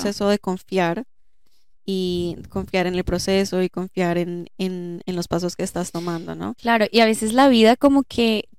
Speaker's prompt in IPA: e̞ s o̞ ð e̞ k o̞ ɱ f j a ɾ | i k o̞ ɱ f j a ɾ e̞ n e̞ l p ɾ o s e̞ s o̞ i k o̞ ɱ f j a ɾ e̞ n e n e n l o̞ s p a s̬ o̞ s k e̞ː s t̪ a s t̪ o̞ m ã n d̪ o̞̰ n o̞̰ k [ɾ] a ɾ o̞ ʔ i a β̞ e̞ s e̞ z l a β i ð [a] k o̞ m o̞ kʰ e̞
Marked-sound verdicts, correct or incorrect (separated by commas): incorrect, correct